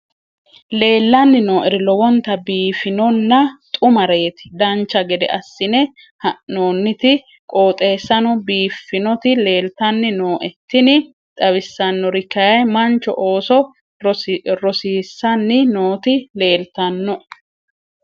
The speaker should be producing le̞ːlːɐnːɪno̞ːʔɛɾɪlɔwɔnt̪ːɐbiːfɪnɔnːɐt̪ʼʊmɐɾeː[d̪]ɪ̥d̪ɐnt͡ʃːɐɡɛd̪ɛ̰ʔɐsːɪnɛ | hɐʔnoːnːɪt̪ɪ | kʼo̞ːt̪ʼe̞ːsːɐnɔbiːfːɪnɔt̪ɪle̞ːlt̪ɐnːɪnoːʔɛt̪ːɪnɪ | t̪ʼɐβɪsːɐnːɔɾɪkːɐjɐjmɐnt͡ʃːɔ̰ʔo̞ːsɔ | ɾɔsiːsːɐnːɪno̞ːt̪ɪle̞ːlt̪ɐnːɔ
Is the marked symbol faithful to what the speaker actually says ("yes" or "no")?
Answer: no